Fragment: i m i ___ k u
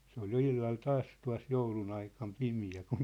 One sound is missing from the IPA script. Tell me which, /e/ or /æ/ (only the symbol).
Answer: æ